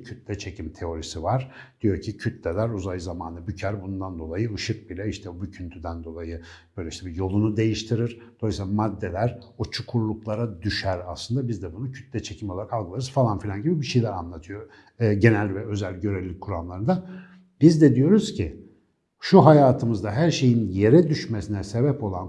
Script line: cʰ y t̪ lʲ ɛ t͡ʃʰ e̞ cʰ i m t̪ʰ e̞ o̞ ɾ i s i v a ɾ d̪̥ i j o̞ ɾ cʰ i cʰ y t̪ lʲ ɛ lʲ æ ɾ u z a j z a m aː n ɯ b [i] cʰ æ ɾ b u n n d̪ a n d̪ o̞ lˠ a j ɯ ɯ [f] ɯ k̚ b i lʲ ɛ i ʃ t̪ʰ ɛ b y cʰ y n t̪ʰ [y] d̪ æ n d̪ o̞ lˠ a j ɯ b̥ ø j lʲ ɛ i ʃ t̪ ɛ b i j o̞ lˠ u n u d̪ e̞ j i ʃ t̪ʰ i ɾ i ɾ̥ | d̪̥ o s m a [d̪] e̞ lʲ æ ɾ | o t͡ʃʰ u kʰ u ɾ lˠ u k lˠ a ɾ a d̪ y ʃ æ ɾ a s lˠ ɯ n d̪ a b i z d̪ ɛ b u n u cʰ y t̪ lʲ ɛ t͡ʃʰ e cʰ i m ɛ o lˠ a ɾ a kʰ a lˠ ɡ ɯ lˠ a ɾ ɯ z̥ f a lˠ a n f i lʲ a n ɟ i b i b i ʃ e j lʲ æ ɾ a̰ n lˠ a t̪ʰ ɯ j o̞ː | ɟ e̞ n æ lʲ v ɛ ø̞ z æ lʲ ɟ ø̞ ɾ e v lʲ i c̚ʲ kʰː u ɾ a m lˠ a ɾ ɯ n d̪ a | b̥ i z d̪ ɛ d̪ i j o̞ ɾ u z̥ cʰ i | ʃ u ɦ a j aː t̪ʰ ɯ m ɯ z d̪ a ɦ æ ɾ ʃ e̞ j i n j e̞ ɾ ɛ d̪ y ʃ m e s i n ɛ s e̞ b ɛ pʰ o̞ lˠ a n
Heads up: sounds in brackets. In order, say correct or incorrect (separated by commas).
incorrect, incorrect, correct, incorrect